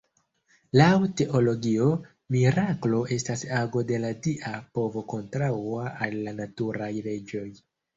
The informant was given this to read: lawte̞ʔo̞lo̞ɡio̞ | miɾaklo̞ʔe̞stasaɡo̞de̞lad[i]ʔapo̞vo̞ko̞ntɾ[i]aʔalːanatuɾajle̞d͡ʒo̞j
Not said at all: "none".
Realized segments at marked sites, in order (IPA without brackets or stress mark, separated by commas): i, a